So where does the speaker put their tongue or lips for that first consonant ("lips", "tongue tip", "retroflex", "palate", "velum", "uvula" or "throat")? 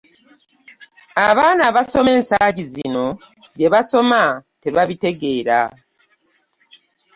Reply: lips